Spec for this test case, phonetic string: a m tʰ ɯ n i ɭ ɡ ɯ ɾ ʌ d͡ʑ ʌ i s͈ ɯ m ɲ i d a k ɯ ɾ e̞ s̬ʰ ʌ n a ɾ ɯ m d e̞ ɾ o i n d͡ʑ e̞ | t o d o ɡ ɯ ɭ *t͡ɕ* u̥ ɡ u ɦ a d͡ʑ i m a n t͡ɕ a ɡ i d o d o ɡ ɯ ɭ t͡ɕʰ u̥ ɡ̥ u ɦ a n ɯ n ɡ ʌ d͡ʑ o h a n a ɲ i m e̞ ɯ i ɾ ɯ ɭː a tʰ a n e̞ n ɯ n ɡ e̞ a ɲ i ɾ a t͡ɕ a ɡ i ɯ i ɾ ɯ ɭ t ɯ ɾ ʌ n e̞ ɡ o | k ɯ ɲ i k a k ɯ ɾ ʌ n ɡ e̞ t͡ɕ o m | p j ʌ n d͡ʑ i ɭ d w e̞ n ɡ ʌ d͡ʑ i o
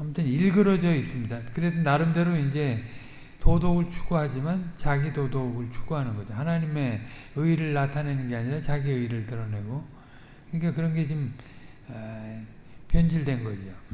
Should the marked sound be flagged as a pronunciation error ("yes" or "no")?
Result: yes